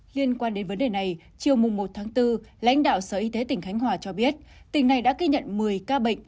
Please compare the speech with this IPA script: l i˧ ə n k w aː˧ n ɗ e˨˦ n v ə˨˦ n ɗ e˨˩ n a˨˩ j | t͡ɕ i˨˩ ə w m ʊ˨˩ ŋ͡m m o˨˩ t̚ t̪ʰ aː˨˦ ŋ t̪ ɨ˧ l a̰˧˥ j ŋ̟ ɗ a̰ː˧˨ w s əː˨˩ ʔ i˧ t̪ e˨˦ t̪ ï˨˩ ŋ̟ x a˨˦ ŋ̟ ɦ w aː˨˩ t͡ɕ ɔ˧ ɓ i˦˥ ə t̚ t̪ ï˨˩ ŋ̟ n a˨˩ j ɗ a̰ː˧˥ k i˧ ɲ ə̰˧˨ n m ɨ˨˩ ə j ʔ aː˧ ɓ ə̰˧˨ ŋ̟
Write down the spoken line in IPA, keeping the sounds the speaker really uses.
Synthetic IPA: l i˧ ə n k w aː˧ n ɗ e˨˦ n v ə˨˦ n ɗ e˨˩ n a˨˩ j | t͡ɕ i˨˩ ə w m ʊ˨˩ ŋ͡m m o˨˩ t̚ t̪ʰ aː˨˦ ŋ t̪ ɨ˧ l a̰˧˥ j ŋ̟ ɗ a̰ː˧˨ w s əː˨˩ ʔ i˧ t̪ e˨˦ t̪ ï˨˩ ŋ̟ x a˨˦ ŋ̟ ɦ w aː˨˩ t͡ɕ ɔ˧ ɓ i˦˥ ə t̚ t̪ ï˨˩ ŋ̟ n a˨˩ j ɗ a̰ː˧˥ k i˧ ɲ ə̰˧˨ n m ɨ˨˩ ə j k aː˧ ɓ ə̰˧˨ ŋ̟

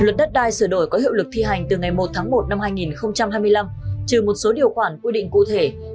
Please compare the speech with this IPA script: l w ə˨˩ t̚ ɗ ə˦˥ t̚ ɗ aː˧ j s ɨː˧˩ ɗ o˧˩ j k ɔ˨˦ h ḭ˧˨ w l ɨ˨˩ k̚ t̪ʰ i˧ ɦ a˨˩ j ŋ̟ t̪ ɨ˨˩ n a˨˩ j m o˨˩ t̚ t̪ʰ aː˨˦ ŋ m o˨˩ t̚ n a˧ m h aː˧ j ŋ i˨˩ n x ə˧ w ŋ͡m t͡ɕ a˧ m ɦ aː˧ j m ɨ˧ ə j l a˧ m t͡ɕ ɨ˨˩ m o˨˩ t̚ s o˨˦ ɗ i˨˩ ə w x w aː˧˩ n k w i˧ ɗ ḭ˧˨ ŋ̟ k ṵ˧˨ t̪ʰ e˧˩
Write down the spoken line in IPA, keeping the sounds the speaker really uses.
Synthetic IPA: l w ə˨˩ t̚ ɗ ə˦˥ t̚ ɗ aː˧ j s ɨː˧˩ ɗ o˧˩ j k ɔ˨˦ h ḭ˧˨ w l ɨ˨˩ k̚ t̪ʰ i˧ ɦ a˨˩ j ŋ̟ t̪ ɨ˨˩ ŋ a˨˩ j m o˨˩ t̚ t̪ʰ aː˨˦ ŋ m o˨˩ t̚ n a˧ m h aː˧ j ŋ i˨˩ n x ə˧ w ŋ͡m t͡ɕ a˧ m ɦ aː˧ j m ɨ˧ ə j l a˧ m t͡ɕ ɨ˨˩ m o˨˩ t̚ s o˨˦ ɗ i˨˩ ə w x w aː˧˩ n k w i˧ ɗ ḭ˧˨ ŋ̟ k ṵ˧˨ t̪ʰ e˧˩

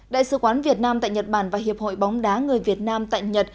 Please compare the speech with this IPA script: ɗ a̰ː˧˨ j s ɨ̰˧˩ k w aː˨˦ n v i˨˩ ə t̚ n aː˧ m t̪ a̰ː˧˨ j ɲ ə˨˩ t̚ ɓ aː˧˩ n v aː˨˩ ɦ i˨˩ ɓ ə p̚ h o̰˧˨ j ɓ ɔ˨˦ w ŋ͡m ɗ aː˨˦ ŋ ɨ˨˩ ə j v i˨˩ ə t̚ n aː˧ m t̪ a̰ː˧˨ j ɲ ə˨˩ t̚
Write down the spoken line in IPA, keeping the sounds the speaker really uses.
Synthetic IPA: ɗ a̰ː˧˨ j s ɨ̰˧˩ k w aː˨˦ n v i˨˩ ə t̚ n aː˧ m t̪ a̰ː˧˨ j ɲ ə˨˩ t̚ ɓ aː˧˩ n v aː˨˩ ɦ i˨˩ ə p̚ h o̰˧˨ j ɓ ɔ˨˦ w ŋ͡m ɗ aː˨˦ ŋ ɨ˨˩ ə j v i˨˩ ə t̚ n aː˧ m t̪ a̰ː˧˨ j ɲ ə˨˩ t̚

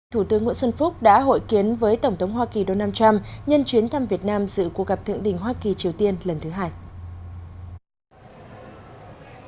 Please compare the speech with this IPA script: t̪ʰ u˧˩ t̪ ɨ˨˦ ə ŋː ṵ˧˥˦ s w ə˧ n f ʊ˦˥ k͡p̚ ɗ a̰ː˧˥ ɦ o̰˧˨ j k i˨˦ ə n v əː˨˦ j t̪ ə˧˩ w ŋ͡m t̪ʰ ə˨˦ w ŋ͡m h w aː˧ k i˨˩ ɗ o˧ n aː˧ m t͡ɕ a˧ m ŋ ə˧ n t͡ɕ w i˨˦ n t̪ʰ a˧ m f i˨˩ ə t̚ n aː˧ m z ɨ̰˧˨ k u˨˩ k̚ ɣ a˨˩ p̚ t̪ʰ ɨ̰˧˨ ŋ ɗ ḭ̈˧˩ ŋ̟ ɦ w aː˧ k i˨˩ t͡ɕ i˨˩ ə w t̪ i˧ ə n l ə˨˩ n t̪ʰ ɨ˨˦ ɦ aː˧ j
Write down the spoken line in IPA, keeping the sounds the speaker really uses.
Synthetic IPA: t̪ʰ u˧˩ t̪ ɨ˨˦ ə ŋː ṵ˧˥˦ s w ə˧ n f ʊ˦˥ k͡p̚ ɗ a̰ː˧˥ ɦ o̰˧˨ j k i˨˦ ə n v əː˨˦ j t̪ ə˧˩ w ŋ͡m t̪ʰ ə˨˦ w ŋ͡m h w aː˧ k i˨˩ ɗ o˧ n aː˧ m t͡ɕ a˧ m ɲ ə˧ n t͡ɕ w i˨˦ n t̪ʰ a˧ m v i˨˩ ə t̚ n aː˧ m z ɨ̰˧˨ k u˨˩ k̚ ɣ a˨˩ p̚ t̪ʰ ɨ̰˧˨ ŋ ɗ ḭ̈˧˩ ŋ̟ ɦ w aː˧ k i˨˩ t͡ɕ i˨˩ ə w t̪ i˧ ə n l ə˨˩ n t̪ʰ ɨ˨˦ ɦ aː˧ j

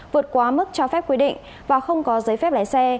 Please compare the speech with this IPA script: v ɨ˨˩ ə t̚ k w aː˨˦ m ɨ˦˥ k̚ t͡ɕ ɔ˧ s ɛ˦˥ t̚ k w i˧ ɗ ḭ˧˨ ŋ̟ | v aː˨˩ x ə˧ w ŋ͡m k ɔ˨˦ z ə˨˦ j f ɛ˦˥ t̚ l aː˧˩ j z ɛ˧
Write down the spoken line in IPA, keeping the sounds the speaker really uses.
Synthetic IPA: v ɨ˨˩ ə t̚ k w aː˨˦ m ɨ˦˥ k̚ t͡ɕ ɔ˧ f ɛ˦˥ p̚ k w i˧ ɗ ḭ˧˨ ŋ̟ | v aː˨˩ x ə˧ w ŋ͡m k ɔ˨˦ z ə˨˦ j f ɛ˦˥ p̚ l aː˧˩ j s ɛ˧

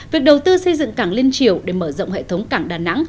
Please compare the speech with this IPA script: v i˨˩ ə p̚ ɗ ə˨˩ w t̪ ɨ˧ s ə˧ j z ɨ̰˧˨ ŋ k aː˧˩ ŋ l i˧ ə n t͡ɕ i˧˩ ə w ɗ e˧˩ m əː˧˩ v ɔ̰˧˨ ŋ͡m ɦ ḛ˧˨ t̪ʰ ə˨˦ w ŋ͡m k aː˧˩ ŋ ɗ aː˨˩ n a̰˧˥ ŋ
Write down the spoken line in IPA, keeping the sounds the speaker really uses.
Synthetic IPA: v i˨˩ ə k̚ ɗ ə˨˩ w t̪ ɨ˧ s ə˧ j z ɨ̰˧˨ ŋ k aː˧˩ ŋ l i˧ ə n t͡ɕ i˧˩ ə w ɗ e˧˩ m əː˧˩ z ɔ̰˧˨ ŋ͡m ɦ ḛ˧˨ t̪ʰ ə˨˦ w ŋ͡m k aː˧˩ ŋ ɗ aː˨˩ n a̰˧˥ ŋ

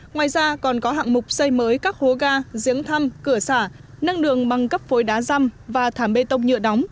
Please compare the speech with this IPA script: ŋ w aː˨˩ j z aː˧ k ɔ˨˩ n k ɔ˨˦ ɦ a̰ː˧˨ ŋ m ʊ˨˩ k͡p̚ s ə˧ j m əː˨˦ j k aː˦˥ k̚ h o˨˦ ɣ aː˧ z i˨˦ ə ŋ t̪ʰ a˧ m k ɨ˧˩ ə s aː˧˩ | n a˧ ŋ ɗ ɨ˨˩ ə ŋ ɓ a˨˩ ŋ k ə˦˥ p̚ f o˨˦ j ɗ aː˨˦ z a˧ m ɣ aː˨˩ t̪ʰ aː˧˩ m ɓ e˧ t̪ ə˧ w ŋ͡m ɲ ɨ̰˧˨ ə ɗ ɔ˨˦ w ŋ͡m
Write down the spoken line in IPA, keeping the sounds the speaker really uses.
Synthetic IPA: ŋ w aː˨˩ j z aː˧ k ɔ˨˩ n k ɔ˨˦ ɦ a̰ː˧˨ ŋ m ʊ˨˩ k͡p̚ s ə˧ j m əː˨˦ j k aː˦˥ k̚ h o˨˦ ɣ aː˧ z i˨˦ ə ŋ t̪ʰ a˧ m k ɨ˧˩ ə s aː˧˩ | n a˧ ŋ ɗ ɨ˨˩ ə ŋ ɓ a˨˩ ŋ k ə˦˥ p̚ f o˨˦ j ɗ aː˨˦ z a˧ m v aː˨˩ t̪ʰ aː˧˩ m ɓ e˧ t̪ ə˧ w ŋ͡m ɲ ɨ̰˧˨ ə ɗ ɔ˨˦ w ŋ͡m

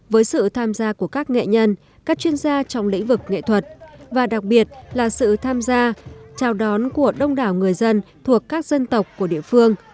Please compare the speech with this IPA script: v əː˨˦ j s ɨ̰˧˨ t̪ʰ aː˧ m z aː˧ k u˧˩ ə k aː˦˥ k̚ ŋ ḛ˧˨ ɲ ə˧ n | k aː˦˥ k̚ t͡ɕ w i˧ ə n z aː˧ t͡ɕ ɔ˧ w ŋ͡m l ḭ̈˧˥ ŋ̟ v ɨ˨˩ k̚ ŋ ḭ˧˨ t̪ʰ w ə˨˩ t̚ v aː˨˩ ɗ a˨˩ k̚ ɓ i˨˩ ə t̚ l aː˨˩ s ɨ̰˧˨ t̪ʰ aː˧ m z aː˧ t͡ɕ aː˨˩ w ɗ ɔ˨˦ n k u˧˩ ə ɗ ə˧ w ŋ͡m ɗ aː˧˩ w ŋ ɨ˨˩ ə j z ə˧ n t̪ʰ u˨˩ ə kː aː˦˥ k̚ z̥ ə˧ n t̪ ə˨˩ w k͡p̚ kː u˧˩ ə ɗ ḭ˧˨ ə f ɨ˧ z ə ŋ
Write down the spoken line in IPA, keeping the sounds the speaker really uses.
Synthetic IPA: v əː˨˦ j s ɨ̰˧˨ t̪ʰ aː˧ m z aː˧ k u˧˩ ə k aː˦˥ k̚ ŋ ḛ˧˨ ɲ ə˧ n | k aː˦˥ k̚ t͡ɕ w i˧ ə n z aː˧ t͡ɕ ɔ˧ w ŋ͡m l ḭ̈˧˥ ŋ̟ v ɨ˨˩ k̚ ŋ ḛ˧˨ t̪ʰ w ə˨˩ t̚ v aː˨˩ ɗ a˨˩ k̚ ɓ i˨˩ ə t̚ l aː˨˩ s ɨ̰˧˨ t̪ʰ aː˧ m z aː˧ t͡ɕ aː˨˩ w ɗ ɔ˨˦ n k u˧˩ ə ɗ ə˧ w ŋ͡m ɗ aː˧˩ w ŋ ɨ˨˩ ə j z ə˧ n t̪ʰ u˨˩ ə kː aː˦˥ k̚ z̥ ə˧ n t̪ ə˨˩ w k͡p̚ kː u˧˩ ə ɗ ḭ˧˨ ə f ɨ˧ ə ŋ

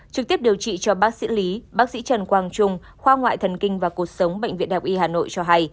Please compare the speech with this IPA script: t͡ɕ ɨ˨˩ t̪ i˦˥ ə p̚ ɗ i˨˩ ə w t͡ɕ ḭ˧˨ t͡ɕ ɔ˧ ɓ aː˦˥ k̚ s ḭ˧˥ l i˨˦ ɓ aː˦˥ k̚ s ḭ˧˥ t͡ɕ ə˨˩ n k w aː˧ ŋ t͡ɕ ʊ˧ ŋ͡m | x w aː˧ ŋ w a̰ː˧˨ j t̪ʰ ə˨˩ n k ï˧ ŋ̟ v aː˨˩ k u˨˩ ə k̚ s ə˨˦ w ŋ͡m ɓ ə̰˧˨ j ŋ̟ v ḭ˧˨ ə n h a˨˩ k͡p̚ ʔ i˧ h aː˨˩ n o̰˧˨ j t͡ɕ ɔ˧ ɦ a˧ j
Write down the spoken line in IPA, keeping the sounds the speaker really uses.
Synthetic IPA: t͡ɕ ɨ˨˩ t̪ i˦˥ ə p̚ ɗ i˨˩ ə w t͡ɕ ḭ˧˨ t͡ɕ ɔ˧ ɓ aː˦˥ k̚ s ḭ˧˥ l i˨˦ ɓ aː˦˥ k̚ s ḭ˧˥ t͡ɕ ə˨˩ n k w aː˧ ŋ t͡ɕ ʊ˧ ŋ͡m | x w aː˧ ŋ w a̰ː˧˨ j t̪ʰ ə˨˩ n k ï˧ ŋ̟ v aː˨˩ k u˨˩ ə k̚ s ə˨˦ w ŋ͡m ɓ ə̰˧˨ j ŋ̟ v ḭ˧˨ ə n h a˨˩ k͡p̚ ʔ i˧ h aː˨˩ n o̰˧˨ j t͡ɕ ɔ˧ ɦ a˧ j

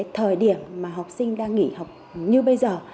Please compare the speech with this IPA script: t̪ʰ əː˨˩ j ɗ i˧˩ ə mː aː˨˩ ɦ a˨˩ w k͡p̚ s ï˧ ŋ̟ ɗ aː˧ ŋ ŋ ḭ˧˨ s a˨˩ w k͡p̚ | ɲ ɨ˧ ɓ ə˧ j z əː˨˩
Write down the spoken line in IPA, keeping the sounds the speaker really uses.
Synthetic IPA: t̪ʰ əː˨˩ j ɗ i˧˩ ə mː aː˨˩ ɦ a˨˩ w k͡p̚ s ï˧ ŋ̟ ɗ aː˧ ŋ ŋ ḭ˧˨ h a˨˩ w k͡p̚ | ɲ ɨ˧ ɓ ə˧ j z əː˨˩

